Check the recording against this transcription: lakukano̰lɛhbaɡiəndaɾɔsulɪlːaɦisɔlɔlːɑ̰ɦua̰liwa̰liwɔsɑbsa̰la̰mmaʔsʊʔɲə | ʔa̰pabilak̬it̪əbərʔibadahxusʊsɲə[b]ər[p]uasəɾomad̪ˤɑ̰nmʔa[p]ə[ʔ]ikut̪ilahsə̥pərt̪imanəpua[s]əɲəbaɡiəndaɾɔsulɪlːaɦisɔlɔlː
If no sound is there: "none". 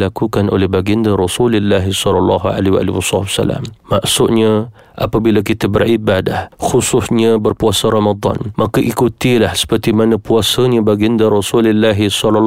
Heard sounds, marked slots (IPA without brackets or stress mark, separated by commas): b, p, k, ʔ, s